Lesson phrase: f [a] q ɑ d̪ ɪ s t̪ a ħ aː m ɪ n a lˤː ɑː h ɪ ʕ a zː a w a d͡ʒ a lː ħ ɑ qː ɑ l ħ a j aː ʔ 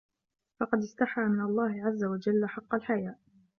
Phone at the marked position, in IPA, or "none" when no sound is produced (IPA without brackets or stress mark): ɑ